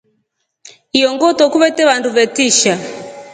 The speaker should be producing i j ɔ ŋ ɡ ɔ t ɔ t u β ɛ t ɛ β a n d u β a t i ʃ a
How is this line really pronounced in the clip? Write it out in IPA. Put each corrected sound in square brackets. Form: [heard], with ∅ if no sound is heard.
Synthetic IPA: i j ɔ ŋ ɡ ɔ t ɔ [k] u β ɛ t ɛ β a n d u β [ɛ] t i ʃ a

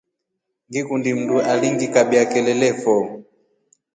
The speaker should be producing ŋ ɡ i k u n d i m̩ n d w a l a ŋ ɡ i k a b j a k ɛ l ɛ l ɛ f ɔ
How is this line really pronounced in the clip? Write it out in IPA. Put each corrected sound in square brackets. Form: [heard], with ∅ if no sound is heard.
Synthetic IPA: ŋ ɡ i k u n d i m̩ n d [u] a l [i] ŋ ɡ i k a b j a k ɛ l ɛ l ɛ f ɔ

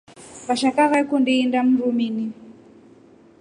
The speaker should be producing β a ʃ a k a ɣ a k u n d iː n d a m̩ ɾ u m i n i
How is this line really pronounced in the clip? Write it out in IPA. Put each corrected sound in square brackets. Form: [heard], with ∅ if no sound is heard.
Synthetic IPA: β a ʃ a k a ɣ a k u n d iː n d a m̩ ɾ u m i n i

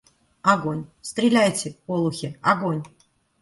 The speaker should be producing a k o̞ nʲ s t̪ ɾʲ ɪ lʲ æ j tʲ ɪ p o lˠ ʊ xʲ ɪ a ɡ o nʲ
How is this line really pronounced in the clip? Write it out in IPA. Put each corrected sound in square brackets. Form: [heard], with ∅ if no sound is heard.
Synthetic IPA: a [ɡ] o̞ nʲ s t̪ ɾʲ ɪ lʲ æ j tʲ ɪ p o lˠ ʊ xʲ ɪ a ɡ o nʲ

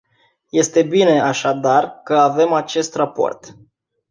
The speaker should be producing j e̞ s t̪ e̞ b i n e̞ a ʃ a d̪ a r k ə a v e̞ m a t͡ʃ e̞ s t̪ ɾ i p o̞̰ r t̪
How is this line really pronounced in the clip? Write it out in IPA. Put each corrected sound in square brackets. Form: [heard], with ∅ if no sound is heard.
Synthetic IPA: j e̞ s t̪ e̞ b i n e̞ a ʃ a d̪ a r k ə a v e̞ m a t͡ʃ e̞ s t̪ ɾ [a] p o̞̰ r t̪

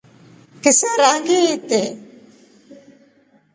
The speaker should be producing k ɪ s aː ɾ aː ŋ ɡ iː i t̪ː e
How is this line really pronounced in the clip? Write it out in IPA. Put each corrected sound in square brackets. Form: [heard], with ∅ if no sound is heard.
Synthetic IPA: k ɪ s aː ɾ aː ŋ ɡ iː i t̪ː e

